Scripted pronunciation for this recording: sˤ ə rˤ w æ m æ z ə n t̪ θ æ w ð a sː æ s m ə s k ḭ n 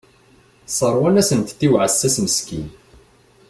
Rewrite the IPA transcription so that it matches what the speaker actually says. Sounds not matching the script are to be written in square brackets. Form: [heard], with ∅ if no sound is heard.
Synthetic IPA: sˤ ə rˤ w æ [n] æ [s] ə n t̪ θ [i] w [ʕ] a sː æ s m ə s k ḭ n